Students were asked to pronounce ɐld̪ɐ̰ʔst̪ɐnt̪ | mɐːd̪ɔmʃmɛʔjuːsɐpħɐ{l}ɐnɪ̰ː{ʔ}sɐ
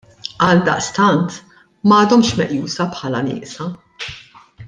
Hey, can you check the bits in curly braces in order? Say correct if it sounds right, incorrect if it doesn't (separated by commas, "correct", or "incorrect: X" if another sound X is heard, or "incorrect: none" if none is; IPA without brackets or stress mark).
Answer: correct, correct